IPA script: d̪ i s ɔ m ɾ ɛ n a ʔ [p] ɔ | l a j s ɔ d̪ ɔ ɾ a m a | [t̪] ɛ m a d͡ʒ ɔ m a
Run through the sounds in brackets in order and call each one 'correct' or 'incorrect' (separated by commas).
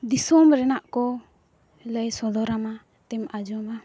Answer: incorrect, correct